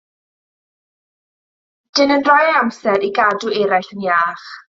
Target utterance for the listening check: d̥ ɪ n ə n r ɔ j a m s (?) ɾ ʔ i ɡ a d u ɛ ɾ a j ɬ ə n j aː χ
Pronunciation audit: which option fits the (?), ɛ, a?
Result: ɛ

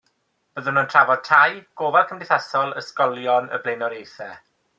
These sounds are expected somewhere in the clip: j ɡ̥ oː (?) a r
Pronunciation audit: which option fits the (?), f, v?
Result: v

